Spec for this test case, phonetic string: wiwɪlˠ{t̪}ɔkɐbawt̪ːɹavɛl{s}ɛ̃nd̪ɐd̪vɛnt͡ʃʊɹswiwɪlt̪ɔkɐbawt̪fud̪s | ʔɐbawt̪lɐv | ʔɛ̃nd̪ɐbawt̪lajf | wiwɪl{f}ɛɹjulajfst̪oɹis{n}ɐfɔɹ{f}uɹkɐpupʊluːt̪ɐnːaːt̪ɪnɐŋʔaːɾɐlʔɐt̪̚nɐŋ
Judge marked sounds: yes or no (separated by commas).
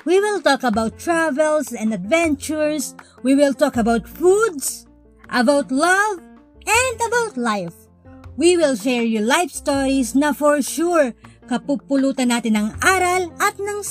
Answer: yes, yes, no, yes, no